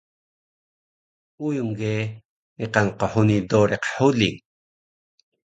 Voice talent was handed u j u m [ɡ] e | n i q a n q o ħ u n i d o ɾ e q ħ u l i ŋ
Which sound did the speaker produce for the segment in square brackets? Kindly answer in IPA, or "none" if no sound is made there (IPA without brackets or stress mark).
ɡ